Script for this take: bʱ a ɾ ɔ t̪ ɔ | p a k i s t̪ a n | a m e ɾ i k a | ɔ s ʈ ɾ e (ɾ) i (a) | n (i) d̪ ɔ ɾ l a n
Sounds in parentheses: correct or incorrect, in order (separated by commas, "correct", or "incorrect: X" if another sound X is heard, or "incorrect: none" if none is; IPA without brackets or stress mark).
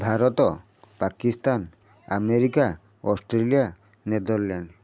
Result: incorrect: l, correct, incorrect: e